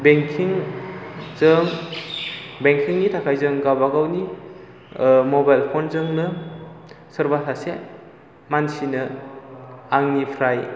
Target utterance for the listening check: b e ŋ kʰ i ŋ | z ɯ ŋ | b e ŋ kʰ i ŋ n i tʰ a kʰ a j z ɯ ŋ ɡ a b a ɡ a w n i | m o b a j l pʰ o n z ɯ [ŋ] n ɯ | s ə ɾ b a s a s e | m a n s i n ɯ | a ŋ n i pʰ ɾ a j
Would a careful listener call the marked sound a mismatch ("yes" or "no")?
no